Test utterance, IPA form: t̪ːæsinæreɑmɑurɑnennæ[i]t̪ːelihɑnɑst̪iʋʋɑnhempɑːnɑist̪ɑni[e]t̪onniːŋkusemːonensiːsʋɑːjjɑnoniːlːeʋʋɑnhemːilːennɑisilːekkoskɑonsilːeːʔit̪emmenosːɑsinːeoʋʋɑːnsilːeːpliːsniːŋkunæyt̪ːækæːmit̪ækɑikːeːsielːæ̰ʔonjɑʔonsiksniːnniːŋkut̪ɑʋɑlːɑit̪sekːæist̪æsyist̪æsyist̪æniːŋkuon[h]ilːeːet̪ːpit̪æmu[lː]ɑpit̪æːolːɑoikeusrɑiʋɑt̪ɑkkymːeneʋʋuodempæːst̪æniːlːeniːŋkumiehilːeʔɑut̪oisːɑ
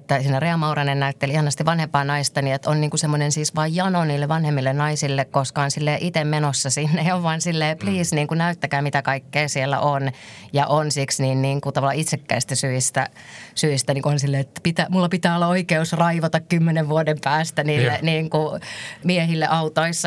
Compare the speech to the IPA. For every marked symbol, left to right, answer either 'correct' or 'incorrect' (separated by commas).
incorrect, correct, incorrect, correct